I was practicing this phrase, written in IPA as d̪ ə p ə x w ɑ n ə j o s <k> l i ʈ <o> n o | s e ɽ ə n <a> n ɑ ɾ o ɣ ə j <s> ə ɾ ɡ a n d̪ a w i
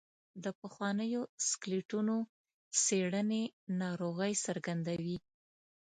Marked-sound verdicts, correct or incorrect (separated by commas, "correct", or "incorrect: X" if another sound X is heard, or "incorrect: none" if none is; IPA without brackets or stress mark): correct, incorrect: u, incorrect: e, correct